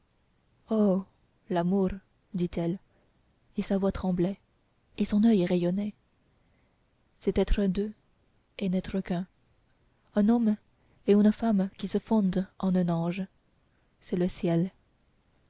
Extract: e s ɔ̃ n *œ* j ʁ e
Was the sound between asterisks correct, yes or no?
yes